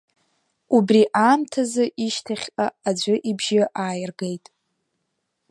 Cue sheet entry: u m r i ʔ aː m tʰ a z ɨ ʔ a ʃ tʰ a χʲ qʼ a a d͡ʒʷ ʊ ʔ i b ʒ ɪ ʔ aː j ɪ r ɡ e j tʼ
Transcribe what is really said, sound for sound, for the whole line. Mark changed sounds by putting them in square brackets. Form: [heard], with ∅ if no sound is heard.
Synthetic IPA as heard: u [b] r i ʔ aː m tʰ a z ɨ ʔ [i] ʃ tʰ a χʲ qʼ a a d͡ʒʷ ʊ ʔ i b ʒ ɪ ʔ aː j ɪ r ɡ e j tʼ

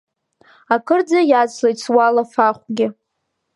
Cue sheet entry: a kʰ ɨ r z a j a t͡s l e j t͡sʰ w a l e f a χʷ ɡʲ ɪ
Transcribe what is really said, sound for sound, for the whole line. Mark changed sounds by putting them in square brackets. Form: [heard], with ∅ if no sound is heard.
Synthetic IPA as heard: a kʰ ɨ r [d͡z] a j a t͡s l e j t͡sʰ w a l [a] f a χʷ ɡʲ ɪ

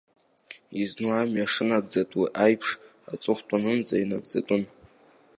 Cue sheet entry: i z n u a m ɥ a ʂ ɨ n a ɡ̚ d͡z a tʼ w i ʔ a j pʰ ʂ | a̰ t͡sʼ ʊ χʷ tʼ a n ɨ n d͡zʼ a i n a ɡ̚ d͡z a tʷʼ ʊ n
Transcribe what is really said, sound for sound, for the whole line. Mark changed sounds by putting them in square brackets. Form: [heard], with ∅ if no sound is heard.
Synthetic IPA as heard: i z n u a m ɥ a ʂ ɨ n a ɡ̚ d͡z a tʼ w i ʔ a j pʰ ʂ | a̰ t͡sʼ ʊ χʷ tʼ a n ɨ n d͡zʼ a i n a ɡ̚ d͡z a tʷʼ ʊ n

